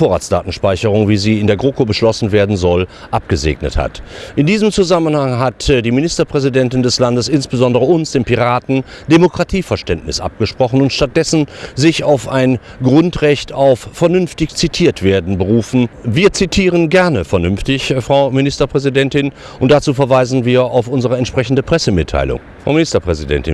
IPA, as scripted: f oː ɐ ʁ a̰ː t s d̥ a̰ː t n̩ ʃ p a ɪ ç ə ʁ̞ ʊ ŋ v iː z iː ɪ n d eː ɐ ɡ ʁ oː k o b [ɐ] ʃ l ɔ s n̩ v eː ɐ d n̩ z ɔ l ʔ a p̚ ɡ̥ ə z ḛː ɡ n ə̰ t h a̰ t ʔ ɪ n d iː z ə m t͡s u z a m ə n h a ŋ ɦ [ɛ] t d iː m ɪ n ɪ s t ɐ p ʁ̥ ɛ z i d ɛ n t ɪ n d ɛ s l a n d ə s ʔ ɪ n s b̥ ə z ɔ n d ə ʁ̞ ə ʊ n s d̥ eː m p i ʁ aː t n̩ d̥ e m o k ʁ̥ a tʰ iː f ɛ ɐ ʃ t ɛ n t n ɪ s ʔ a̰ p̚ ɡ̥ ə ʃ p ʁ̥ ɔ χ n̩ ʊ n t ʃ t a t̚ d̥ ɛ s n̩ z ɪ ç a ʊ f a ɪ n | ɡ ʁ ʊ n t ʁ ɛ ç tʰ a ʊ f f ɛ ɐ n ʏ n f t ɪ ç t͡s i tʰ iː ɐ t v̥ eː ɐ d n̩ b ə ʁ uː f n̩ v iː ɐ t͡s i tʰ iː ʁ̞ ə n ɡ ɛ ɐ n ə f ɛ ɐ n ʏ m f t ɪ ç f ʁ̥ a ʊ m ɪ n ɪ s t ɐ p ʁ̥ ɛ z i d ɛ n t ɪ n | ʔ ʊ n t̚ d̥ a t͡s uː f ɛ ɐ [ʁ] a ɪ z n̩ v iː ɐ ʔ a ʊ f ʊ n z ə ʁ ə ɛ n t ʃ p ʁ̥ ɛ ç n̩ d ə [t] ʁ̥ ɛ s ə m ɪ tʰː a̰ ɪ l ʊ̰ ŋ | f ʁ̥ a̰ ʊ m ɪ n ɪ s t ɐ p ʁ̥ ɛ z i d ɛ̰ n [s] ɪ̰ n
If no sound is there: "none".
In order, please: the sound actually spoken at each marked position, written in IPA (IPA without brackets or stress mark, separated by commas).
ə, a, v, p, t